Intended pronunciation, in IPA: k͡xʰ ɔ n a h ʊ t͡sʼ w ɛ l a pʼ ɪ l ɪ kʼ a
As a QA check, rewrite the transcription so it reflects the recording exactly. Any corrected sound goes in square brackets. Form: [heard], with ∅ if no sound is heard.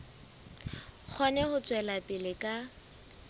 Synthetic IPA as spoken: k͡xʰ ɔ n [ɛ] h ʊ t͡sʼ w ɛ l a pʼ ɪ l ɪ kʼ a